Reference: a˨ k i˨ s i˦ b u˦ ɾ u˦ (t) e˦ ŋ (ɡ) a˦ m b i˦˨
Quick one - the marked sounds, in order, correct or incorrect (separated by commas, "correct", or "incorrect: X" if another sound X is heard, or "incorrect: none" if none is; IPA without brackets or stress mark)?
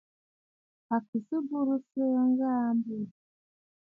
incorrect: s, correct